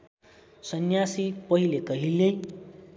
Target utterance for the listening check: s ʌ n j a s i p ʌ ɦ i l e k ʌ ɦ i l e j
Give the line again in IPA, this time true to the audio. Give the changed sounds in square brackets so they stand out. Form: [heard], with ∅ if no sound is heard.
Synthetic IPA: s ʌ n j a s i p ʌ ɦ i l e k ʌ ɦ i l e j